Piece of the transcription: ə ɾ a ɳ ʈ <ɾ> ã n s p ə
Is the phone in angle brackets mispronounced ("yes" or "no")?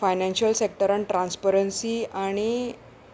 no